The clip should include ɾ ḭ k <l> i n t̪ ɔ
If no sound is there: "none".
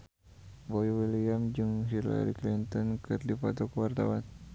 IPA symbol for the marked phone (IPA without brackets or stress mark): l